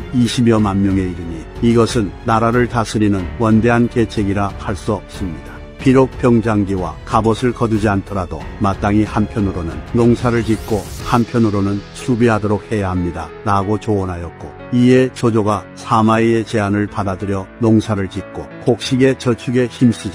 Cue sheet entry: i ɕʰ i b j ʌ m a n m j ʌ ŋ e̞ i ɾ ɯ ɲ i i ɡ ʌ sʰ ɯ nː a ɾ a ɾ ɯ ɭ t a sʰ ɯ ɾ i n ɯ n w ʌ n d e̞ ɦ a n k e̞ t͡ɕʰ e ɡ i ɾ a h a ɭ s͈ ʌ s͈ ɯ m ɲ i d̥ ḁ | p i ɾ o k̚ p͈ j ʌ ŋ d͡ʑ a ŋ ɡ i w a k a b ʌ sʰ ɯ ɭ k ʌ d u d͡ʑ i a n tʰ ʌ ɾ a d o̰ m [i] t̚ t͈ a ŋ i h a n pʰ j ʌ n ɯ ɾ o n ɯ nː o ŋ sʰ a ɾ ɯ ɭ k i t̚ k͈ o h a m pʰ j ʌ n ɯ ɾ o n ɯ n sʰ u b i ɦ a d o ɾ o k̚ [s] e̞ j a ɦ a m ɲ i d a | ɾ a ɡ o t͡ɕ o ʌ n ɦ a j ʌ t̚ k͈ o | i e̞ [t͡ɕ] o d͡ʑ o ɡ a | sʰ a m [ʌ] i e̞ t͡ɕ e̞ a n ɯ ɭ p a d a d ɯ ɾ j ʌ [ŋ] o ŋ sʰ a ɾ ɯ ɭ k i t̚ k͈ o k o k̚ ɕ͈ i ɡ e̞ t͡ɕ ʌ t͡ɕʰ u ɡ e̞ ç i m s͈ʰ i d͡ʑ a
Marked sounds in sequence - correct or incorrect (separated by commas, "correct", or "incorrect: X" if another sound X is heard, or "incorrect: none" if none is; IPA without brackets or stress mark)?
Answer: incorrect: a, incorrect: h, correct, incorrect: a, incorrect: n